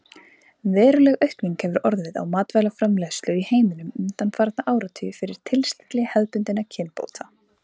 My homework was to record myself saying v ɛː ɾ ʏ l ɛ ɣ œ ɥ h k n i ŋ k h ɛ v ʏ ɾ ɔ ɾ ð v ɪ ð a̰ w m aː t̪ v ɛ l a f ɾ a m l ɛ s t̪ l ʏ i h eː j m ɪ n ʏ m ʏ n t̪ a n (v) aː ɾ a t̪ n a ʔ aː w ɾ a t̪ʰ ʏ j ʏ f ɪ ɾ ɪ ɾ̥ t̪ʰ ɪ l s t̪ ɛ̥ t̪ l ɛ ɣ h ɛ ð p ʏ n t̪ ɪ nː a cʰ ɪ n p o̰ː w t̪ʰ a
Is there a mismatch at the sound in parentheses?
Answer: yes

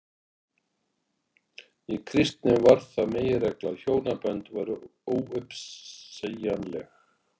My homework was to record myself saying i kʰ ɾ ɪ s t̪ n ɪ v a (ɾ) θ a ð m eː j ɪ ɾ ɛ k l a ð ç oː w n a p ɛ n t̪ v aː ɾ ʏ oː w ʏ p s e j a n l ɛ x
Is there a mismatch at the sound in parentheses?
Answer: no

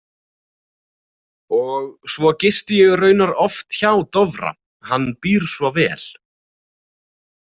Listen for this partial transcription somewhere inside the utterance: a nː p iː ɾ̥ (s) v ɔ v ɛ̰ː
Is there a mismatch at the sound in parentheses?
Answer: no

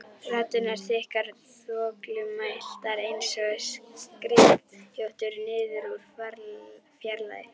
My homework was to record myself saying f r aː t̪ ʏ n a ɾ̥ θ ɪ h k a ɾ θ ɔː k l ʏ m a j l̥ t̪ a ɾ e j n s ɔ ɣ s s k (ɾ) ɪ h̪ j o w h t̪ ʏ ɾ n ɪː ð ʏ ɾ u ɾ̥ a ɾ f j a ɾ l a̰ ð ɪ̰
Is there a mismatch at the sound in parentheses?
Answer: no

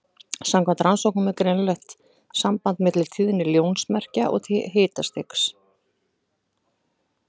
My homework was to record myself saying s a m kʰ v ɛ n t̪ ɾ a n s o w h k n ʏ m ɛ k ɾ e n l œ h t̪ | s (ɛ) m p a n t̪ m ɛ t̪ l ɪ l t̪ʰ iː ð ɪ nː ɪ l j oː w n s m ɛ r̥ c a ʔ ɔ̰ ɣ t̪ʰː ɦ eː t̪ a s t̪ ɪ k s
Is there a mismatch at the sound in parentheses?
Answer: yes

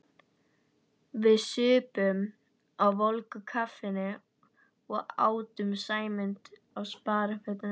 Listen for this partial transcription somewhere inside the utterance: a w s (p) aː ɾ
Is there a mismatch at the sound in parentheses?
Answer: no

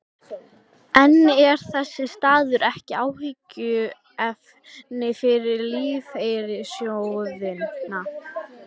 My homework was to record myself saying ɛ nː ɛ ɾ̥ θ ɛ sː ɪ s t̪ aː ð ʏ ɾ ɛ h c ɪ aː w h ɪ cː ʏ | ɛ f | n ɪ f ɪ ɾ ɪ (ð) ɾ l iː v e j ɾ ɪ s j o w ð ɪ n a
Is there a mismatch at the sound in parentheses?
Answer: yes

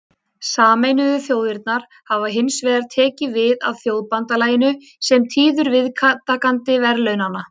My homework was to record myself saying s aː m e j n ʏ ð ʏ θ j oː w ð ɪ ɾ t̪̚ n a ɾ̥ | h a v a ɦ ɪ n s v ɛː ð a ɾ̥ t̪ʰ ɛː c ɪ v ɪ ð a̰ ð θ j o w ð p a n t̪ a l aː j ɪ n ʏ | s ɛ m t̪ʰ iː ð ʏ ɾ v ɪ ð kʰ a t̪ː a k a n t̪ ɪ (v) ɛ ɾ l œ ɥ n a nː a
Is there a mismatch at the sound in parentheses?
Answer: no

